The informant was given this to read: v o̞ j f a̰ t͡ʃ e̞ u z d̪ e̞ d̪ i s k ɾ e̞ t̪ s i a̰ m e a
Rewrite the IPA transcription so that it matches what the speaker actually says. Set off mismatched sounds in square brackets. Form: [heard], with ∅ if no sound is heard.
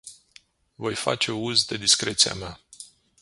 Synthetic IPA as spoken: v o̞ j f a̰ t͡ʃ e̞ u z d̪ e̞ d̪ i s k ɾ e̞ t̪ s i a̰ m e a